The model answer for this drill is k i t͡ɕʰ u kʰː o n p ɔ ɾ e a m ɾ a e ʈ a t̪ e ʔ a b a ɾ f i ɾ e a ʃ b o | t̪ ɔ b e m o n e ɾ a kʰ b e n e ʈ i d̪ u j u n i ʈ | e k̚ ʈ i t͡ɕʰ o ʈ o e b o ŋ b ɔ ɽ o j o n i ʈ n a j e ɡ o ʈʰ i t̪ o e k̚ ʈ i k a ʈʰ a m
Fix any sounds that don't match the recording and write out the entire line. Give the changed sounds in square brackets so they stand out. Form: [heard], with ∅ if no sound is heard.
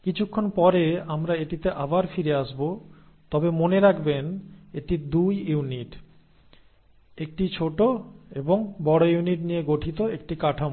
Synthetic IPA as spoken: k i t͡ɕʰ u kʰː o n p ɔ ɾ e a m ɾ a e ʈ [i] t̪ e ʔ a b a ɾ f i ɾ e a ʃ b o | t̪ ɔ b e m o n e ɾ a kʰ b e n e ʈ i d̪ u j u n i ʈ | e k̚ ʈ i t͡ɕʰ o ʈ o e b o ŋ b ɔ ɽ o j [u] n i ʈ n [i] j e ɡ o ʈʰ i t̪ o e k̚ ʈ i k a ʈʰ a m

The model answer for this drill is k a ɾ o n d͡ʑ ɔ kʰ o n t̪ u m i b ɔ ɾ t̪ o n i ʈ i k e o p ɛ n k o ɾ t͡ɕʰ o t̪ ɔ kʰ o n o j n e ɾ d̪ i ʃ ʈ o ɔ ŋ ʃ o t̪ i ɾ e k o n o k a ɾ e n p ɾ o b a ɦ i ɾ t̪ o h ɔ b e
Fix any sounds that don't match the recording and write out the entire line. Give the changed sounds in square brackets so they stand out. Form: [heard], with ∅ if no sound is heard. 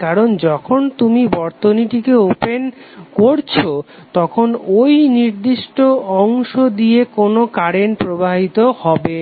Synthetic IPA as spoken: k a ɾ o n d͡ʑ ɔ kʰ o n t̪ u m i b ɔ ɾ t̪ o n i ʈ i k e o p [e] n k o ɾ t͡ɕʰ o t̪ ɔ kʰ o n o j n [i] ɾ d̪ i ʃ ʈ o ɔ ŋ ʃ o [d̪] i [∅] e k o n o k a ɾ e n p ɾ o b a ɦ i [∅] t̪ o h ɔ b e

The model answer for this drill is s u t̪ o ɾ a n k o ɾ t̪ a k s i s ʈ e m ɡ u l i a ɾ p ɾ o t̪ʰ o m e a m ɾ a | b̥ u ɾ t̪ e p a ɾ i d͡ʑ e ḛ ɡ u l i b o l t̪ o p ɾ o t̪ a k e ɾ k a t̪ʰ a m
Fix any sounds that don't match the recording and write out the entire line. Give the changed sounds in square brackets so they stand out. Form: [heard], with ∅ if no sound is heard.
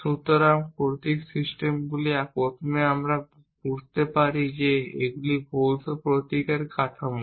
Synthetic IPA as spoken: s u t̪ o ɾ a [m] k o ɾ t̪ [i] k s i s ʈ e m ɡ u l i a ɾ p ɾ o t̪ʰ o m e a m ɾ a | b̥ u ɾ t̪ e p a ɾ i d͡ʑ e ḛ ɡ u l i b o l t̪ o p ɾ o t̪ [i] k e ɾ k a t̪ʰ a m

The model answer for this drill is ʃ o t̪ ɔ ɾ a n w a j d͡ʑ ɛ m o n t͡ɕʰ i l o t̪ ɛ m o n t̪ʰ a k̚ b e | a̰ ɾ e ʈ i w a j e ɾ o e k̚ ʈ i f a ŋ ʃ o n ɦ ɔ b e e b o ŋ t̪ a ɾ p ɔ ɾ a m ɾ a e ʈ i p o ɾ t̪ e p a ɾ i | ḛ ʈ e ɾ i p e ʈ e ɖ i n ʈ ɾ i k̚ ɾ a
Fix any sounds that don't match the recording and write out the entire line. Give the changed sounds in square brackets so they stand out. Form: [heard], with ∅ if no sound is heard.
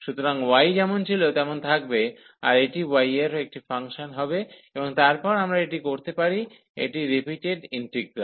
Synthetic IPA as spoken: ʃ [u] t̪ [o] ɾ a [ŋ] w a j d͡ʑ ɛ m o n t͡ɕʰ i l o t̪ ɛ m o n t̪ʰ a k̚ b e | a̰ ɾ e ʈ i w a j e ɾ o e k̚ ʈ i f a ŋ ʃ o n ɦ ɔ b e e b o ŋ t̪ a ɾ p ɔ ɾ a m ɾ a e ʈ i [k] o ɾ t̪ e p a ɾ i | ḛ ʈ [i] ɾ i p [i] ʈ e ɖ i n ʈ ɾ i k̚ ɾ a

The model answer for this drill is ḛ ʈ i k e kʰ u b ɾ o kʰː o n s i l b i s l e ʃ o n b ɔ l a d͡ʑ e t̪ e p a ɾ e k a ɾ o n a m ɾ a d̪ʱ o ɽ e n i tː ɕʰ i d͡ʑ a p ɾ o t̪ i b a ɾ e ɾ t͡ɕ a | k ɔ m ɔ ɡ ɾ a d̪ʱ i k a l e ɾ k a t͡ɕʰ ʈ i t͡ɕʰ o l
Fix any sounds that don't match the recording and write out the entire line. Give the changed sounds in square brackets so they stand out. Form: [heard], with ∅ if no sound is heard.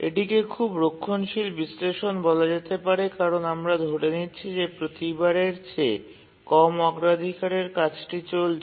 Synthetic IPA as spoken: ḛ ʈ i k e kʰ u b ɾ o kʰː o n [ʃ] i l b i s l e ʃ o n b ɔ l a d͡ʑ e t̪ e p a ɾ e k a ɾ o n a m ɾ a d̪ʱ o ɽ e n i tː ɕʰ i d͡ʑ [e] p ɾ o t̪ i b a ɾ e ɾ t͡ɕ [e] | k ɔ m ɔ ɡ ɾ a d̪ʱ i k a [ɾ] e ɾ k a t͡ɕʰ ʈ i [t͡ɕ] o l

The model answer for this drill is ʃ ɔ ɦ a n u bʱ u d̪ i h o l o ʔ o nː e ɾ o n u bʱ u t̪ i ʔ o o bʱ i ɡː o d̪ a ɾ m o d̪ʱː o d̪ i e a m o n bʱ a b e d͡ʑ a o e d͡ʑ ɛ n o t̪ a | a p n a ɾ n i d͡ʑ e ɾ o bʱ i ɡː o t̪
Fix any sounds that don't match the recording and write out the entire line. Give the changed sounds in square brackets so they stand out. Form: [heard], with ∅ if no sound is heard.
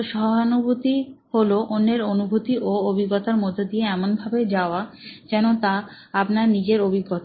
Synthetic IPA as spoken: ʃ ɔ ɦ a n u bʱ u [t̪] i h o l o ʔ o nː e ɾ o n u bʱ u t̪ i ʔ o o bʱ i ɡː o [t̪] a ɾ m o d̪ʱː o d̪ i e [ɛ] m o n bʱ a b e d͡ʑ a o [a] d͡ʑ ɛ n o t̪ a | a p n a ɾ n i d͡ʑ e ɾ o bʱ i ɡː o t̪

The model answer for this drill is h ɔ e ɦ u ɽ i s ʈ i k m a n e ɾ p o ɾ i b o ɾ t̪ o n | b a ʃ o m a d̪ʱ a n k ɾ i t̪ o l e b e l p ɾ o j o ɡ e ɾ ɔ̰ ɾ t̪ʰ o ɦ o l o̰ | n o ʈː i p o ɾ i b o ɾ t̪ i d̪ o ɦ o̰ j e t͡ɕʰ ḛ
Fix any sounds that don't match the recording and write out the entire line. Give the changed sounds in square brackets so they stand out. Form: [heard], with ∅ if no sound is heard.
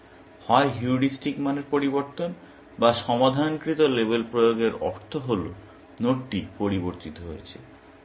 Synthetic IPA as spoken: h ɔ e ɦ u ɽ i s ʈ i k m a n e ɾ p o ɾ i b o ɾ t̪ o n | b a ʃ [ɔ] m a d̪ʱ a n k ɾ i t̪ o l e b e l p ɾ o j o ɡ e ɾ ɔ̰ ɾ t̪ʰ o ɦ o l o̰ | n o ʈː i p o ɾ i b o ɾ t̪ i [t̪] o ɦ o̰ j e t͡ɕʰ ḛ

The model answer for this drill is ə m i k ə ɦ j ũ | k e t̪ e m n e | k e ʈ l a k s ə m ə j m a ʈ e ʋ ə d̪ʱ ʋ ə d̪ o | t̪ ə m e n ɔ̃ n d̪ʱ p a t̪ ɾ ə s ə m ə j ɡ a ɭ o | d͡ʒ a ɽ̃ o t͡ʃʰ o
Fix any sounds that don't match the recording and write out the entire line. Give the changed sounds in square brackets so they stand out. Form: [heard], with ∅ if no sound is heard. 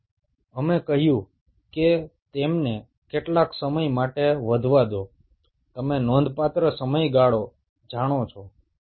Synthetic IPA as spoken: ə m [e] k ə ɦ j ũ | k e t̪ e m n e | k e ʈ l a k s ə m ə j m a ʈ e ʋ ə d̪ʱ ʋ [a] d̪ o | t̪ ə m e n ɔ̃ n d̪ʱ p a t̪ ɾ ə s ə m ə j ɡ a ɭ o | d͡ʒ a ɽ̃ o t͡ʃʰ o

